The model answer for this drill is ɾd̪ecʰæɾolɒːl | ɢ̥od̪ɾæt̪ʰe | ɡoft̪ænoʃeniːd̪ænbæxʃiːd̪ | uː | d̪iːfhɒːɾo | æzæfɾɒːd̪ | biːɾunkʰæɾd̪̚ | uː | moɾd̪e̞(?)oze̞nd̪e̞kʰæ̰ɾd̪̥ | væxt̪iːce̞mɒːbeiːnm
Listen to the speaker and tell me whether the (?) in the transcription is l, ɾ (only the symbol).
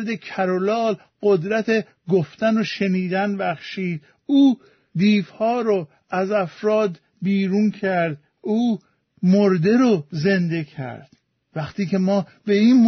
ɾ